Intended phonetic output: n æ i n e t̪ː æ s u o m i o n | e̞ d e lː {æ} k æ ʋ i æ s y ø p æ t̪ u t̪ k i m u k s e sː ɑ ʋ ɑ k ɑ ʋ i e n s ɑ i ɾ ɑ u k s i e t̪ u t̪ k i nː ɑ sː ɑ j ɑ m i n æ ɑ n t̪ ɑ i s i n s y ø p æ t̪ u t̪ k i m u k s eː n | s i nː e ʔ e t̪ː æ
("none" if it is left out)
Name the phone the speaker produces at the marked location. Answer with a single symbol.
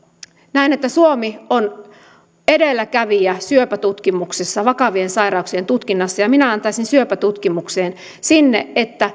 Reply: æ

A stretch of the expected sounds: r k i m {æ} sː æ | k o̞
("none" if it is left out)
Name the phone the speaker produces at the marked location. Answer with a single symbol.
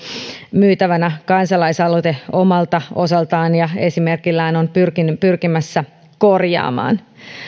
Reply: æ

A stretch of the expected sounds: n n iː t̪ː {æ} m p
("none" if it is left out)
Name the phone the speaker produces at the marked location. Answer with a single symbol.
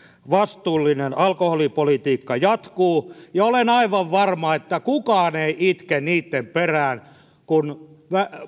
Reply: e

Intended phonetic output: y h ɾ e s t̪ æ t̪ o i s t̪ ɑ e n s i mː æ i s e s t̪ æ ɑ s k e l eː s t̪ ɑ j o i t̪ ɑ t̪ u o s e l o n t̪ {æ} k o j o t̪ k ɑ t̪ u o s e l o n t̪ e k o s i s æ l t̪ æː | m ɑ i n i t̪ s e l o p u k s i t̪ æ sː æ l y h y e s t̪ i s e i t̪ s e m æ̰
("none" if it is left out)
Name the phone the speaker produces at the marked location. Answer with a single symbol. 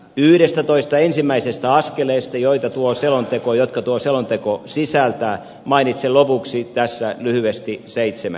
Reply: e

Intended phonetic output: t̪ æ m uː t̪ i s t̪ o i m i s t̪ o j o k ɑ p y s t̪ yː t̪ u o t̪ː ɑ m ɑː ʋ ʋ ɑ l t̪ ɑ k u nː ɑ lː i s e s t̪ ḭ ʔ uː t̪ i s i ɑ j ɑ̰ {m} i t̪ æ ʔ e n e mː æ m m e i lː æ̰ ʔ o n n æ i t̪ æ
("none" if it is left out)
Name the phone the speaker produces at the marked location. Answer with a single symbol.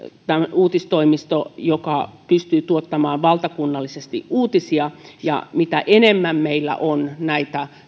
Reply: m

